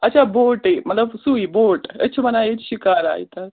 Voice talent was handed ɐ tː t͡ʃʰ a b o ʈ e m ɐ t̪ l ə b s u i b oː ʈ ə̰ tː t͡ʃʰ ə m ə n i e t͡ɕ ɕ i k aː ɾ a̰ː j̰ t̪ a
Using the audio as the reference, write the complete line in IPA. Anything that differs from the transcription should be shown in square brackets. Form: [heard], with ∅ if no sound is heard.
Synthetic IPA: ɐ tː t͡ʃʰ a b o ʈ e m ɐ t̪ l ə b s u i b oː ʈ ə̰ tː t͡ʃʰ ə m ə n [a] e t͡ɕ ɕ i k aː ɾ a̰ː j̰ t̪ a